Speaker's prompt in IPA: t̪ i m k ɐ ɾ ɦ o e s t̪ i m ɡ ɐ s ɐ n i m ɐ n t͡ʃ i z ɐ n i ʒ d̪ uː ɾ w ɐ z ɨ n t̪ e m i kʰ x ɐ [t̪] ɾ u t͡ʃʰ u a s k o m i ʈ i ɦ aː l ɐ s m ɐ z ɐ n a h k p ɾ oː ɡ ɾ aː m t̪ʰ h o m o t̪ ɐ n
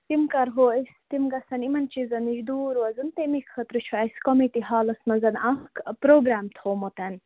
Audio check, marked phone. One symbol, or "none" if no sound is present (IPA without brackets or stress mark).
t̪